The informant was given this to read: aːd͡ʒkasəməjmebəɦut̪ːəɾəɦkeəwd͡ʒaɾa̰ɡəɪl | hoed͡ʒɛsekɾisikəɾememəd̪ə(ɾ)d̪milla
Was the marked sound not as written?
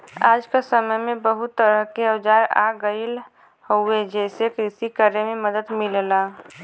yes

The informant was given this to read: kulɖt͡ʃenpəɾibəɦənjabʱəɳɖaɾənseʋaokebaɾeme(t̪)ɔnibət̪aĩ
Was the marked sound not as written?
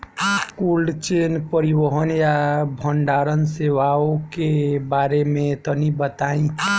no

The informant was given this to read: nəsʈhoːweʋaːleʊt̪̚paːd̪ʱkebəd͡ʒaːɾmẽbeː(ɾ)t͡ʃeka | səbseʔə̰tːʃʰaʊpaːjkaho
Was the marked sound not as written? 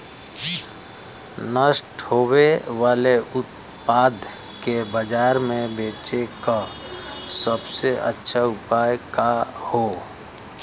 yes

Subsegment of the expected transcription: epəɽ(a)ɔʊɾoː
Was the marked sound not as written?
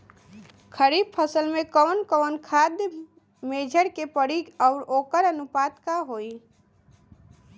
yes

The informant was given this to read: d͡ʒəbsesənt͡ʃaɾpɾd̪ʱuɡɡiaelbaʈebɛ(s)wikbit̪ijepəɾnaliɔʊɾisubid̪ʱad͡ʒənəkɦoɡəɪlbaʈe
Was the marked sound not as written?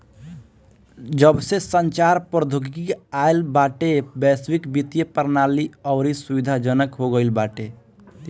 no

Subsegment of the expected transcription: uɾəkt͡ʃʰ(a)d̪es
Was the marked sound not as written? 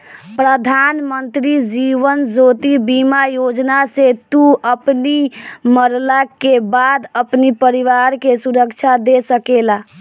no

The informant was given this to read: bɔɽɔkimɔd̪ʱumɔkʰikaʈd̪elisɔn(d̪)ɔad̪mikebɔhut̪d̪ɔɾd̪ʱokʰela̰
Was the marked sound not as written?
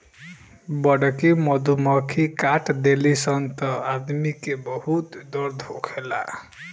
yes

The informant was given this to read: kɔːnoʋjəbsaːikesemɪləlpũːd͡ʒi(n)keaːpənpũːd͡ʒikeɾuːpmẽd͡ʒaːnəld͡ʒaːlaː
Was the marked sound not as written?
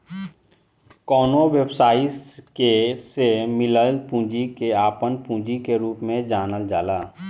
yes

